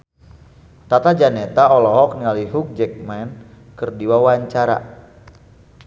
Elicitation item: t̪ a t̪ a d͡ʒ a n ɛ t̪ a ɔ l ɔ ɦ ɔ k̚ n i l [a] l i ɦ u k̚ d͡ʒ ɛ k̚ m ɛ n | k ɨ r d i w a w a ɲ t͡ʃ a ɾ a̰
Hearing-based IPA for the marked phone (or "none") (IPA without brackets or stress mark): a